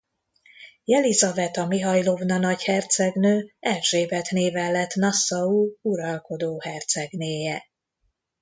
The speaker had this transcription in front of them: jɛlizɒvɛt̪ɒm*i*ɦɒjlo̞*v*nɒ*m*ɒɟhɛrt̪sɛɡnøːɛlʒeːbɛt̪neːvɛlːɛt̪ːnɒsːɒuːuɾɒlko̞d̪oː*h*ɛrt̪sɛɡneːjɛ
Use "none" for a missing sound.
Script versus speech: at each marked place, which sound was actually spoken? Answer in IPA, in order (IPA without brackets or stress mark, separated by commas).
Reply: i, v, n, h